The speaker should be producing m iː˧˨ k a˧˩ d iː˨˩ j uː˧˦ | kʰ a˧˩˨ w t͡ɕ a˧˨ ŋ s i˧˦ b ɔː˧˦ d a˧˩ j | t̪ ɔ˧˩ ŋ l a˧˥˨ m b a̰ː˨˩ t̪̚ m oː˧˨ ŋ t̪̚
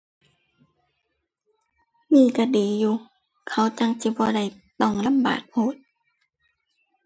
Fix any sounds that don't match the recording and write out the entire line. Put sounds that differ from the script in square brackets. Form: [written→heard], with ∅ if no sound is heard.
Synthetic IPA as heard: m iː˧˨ k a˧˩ d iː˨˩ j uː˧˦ | kʰ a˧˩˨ w t͡ɕ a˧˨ ŋ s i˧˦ b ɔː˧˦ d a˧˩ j | t̪ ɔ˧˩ ŋ l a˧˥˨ m b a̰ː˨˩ t̪̚ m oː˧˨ [ŋ→∅] t̪̚